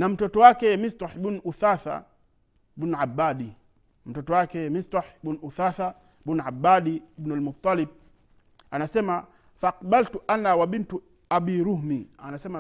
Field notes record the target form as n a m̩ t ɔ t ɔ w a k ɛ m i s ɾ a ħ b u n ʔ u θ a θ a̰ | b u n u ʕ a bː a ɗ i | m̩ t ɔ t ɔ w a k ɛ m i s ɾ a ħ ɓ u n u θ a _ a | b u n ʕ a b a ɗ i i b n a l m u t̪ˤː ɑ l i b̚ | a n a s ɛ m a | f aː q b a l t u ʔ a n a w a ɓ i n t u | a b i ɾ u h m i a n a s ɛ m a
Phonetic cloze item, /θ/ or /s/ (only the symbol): θ